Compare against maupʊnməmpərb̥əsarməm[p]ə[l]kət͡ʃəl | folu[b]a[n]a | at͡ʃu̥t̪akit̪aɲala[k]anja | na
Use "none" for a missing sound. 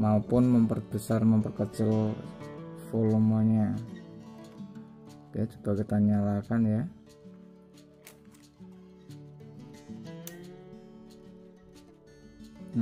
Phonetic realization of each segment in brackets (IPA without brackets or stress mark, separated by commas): p, r, m, ɲ, k